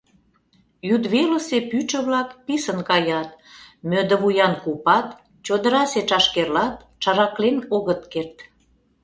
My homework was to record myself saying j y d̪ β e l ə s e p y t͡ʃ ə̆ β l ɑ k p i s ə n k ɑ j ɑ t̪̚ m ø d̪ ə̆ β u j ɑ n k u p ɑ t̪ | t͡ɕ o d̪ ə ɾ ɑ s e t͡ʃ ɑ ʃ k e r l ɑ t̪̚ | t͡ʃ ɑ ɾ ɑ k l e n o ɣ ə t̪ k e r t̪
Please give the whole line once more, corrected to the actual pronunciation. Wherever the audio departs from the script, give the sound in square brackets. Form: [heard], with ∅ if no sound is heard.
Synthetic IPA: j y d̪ β e l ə s e p y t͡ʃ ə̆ β l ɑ k p i s ə n k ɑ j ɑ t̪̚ m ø d̪ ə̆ β u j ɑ n k u p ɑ t̪ | t͡ɕ o d̪ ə ɾ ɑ s e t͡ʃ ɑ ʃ k e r l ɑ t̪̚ | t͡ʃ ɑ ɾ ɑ k l e n o ɣ ə t̪ k e r t̪